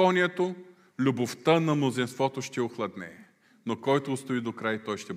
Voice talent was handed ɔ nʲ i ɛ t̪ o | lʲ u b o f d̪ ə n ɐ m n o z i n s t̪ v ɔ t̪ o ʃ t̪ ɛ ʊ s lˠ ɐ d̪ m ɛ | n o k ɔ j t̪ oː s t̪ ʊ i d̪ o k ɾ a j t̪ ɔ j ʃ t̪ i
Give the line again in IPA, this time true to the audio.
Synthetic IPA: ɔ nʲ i ɛ t̪ o | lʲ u b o f t̪ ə n ɐ m n o z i n s t̪ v ɔ t̪ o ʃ t̪ ɛ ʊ x lˠ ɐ d̪ n ɛ | n o k ɔ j t̪ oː s t̪ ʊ i d̪ o k ɾ a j t̪ ɔ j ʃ t̪ ɛ